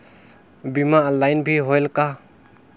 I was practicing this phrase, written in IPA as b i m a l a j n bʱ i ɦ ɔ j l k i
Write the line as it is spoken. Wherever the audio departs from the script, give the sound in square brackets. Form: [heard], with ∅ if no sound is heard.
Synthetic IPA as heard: b i m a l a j n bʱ i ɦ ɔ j l k [a]